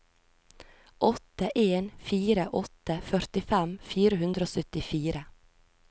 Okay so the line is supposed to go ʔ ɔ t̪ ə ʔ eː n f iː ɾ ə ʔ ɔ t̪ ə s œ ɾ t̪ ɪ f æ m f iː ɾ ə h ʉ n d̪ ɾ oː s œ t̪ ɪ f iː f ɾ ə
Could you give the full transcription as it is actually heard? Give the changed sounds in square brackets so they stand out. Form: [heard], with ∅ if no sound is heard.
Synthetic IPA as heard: ʔ ɔ t̪ ə ʔ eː n f iː ɾ ə ʔ ɔ t̪ ə [f] œ ɾ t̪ ɪ f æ m f iː ɾ ə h ʉ n d̪ ɾ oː s œ t̪ ɪ f iː [∅] ɾ ə

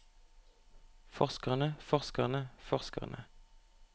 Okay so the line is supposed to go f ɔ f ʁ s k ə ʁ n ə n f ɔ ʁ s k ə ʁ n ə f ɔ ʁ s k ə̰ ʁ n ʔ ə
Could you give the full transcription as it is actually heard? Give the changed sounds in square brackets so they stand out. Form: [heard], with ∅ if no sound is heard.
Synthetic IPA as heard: f ɔ [∅] ʁ s k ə ʁ n ə [∅] f ɔ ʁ s k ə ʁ n ə f ɔ ʁ s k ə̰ ʁ n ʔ ə

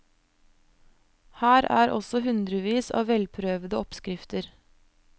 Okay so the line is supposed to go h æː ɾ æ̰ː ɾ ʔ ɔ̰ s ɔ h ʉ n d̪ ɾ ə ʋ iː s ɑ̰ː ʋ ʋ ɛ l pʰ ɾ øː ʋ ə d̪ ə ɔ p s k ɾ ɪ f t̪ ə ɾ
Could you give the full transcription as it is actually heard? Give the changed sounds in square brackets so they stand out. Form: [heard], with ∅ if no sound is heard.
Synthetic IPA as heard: h æː ɾ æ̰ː ɾ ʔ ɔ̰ s ɔ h ʉ n d̪ ɾ ə ʋ iː s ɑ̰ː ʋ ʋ ɛ l pʰ ɾ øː ʋ ə d̪ ə ɔ p s k ɾ ɪ f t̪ ə ɾ

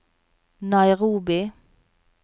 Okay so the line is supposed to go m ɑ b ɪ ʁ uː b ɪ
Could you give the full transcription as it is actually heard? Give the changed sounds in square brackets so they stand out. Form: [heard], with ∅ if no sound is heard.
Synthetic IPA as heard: [n] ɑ [∅] ɪ ʁ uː b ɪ

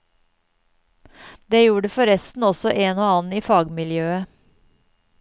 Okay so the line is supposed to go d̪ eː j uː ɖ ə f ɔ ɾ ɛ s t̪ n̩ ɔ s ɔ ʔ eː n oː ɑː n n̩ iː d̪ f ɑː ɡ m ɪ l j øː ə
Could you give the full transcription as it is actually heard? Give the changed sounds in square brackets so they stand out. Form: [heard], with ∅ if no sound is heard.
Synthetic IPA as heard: d̪ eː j uː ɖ ə f ɔ ɾ ɛ s t̪ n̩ ɔ s ɔ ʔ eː n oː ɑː n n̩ iː [∅] f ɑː ɡ m ɪ l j øː ə

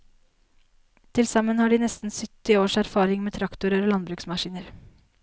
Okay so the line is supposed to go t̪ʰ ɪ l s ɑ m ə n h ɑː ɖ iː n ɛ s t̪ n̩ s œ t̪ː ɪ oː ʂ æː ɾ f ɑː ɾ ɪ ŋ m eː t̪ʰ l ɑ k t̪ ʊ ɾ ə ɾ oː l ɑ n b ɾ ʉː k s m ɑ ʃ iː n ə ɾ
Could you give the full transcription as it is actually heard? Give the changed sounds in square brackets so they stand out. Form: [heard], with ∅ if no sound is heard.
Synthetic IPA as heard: t̪ʰ ɪ l s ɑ m ə n h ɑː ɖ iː n ɛ s t̪ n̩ s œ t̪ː ɪ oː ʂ [æ] ɾ f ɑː ɾ ɪ ŋ m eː t̪ʰ [ɾ] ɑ k t̪ ʊ ɾ ə ɾ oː l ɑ n b ɾ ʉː k s m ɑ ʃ iː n ə ɾ

